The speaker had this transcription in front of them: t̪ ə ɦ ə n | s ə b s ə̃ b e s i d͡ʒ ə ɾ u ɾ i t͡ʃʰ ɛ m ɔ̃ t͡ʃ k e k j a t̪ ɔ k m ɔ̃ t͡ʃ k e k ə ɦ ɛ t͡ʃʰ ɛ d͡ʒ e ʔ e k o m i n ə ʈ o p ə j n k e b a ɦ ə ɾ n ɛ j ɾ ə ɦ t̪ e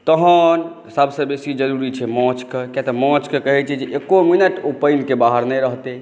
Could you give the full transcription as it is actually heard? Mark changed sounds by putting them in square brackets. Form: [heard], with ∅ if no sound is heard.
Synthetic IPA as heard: t̪ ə ɦ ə n | s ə b s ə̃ b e s i d͡ʒ ə ɾ u ɾ i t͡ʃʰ ɛ m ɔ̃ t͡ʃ k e k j a t̪ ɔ [∅] m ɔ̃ t͡ʃ k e k ə ɦ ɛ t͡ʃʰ ɛ d͡ʒ e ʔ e k o m i n ə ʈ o p ə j n k e b a ɦ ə ɾ n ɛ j ɾ ə ɦ t̪ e